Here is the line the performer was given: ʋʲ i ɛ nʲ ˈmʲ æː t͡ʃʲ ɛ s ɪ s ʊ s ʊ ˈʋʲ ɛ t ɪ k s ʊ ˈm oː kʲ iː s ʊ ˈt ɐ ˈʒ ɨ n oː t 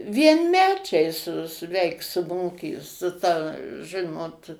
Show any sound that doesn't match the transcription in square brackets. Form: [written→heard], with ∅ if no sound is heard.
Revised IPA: ʋʲ i ɛ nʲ ˈmʲ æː t͡ʃʲ ɛ [s→∅] ɪ s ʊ s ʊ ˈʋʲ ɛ [t→∅] ɪ k s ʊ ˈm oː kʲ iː s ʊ ˈt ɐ ˈʒ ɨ n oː t